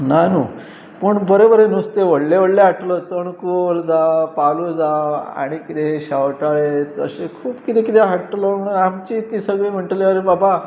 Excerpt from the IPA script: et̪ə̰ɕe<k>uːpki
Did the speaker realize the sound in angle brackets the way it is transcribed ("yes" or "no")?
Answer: no